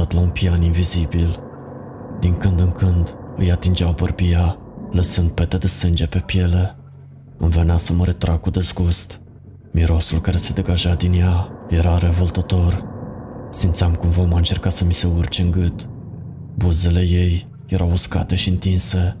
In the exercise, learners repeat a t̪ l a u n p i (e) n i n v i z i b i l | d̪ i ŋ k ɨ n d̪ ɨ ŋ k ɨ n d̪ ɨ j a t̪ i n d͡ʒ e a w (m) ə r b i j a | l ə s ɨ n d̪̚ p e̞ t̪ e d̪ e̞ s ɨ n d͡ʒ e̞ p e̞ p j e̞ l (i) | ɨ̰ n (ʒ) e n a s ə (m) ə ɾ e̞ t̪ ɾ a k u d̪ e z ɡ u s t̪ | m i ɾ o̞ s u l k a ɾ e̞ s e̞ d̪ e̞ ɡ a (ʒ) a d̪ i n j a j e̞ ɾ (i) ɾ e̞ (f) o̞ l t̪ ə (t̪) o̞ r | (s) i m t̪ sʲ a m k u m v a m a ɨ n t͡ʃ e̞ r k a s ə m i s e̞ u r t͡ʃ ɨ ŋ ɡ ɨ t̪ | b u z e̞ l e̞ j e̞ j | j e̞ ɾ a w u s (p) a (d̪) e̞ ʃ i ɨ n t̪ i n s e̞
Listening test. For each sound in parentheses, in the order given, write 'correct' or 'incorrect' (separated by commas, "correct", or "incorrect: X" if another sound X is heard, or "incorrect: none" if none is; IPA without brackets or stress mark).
incorrect: a, incorrect: b, incorrect: e, incorrect: v, correct, correct, incorrect: a, incorrect: v, correct, correct, incorrect: k, incorrect: t̪